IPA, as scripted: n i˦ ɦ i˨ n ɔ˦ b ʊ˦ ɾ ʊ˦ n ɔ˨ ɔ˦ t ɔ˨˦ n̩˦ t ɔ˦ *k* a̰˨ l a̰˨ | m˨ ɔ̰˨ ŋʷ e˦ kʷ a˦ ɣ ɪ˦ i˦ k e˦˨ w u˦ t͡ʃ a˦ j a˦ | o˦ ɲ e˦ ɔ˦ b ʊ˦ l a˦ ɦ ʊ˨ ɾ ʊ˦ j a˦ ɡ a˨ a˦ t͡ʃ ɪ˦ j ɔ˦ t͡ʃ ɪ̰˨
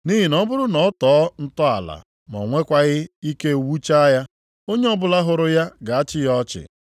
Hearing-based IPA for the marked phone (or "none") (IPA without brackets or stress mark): none